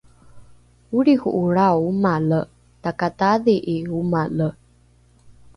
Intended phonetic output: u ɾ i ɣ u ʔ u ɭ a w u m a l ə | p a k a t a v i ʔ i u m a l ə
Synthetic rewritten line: u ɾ i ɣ u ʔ u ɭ a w u m a l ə | t a k a t a ð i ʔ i u m a l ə